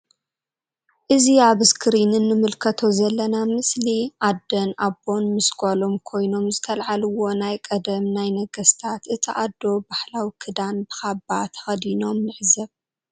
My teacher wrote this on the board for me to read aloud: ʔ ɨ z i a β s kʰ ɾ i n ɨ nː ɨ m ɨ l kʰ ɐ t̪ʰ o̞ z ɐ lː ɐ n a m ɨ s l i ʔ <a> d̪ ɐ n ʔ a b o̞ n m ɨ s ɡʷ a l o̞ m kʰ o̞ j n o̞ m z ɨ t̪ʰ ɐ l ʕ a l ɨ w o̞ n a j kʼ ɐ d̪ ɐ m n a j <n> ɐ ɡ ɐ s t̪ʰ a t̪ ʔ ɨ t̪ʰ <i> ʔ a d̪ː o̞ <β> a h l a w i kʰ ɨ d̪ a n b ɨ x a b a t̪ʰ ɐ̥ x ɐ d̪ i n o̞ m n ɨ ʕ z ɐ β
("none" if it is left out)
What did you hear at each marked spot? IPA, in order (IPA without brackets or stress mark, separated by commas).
a, n, i, b